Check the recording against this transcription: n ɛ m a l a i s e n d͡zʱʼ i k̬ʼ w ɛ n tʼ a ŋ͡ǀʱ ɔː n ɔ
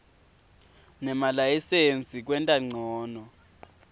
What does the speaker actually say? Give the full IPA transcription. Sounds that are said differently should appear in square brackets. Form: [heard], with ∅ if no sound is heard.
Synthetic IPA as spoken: n ɛ m a l a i s e n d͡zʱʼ i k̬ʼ w ɛ n tʼ a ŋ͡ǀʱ ɔː n ɔ